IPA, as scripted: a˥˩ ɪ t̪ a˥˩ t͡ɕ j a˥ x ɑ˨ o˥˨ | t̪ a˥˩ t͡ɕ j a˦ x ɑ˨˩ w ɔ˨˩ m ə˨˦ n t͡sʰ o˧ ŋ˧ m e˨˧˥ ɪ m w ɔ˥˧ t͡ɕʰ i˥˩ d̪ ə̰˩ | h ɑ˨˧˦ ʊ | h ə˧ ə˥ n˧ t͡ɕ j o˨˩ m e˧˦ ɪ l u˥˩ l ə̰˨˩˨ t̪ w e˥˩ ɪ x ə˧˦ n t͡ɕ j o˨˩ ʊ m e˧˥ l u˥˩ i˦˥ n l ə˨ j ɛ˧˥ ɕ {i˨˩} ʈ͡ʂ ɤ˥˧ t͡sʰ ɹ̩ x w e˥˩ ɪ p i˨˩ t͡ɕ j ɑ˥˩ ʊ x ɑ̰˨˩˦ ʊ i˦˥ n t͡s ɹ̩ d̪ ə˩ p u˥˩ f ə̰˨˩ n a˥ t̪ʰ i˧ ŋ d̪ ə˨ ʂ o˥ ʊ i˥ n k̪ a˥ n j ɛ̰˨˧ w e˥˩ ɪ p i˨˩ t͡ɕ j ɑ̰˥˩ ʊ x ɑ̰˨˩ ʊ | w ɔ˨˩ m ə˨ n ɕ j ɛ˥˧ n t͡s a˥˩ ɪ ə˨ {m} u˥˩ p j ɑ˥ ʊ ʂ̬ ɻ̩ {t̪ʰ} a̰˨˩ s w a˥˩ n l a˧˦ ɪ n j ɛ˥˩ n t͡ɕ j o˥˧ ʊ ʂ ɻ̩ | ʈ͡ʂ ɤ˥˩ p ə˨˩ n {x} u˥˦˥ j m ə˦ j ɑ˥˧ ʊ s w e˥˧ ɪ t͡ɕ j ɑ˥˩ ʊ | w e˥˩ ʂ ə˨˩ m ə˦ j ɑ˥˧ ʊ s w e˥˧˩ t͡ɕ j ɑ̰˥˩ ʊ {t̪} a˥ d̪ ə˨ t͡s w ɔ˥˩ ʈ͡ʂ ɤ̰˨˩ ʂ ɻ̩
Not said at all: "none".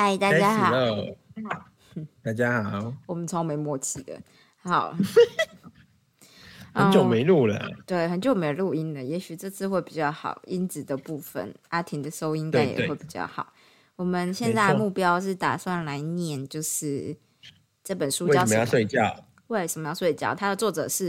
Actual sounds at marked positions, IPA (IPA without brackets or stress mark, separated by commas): y˨˩, m, t̪, ʂ, t̪ʰ